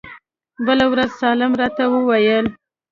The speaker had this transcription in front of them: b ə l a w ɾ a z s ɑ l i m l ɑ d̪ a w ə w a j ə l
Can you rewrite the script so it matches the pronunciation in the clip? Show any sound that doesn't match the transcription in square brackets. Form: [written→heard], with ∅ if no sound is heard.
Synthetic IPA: b ə l a w ɾ a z s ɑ l [i→ɪ] m [l→ɾ] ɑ [d̪→t̪] a w ə w a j ə l